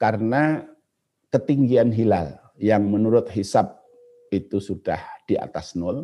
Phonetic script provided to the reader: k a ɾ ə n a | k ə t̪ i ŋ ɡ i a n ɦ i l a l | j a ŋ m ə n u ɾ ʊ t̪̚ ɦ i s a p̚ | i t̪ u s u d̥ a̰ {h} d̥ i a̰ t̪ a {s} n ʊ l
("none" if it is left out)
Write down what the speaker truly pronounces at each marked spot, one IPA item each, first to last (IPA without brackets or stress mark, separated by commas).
h, s